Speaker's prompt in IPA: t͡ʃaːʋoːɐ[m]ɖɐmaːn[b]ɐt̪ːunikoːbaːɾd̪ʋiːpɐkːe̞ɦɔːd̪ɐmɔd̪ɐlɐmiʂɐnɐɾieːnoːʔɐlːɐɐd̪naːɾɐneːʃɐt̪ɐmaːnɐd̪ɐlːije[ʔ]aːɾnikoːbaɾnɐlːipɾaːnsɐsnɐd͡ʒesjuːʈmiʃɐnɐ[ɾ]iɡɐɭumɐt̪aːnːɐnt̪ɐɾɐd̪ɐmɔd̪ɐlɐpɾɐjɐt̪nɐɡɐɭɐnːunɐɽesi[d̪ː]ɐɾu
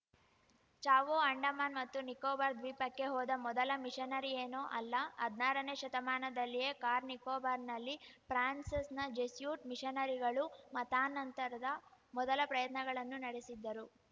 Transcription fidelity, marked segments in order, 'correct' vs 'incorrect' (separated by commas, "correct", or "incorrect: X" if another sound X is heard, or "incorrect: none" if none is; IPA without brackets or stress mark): incorrect: ɳ, incorrect: m, incorrect: k, correct, correct